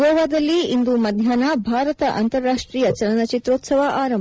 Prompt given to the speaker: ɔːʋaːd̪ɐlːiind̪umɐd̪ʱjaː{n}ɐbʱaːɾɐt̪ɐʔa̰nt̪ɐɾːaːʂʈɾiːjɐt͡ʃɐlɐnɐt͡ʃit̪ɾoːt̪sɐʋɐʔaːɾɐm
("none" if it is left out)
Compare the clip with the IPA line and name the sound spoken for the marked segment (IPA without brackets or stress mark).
n